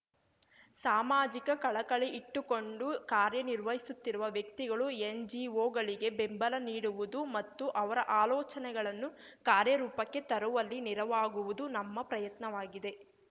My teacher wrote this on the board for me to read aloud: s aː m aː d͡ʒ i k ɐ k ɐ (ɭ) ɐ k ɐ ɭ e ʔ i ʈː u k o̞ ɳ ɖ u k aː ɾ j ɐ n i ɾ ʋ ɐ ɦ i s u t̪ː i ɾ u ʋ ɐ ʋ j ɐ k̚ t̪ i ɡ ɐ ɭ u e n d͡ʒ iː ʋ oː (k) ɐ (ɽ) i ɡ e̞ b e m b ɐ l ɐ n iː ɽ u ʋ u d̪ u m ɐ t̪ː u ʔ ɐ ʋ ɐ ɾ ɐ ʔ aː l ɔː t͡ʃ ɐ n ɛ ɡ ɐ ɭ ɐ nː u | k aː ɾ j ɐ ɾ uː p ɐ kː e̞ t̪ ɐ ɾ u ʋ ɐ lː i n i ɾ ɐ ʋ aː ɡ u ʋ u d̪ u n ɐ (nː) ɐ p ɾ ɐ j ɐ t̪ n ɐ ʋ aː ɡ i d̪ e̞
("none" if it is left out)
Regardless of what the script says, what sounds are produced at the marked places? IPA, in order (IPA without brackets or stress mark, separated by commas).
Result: ɭ, ɡ, ɭ, mː